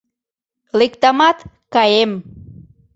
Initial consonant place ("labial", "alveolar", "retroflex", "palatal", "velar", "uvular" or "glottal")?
alveolar